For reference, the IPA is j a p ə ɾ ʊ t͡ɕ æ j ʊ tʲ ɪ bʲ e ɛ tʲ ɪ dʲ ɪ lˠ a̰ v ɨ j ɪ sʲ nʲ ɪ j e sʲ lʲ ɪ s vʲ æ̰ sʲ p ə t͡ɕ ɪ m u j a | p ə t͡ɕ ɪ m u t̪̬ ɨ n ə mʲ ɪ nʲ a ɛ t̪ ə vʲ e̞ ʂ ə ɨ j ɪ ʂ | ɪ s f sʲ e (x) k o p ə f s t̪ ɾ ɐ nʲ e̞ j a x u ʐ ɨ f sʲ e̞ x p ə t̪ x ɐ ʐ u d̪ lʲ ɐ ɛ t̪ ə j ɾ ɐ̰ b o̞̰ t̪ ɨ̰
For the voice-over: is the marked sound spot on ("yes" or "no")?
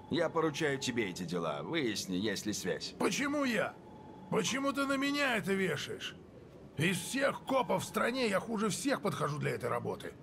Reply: yes